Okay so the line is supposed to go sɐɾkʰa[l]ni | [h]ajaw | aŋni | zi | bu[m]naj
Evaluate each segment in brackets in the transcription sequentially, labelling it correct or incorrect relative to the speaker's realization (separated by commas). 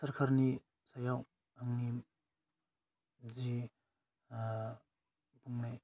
incorrect, incorrect, incorrect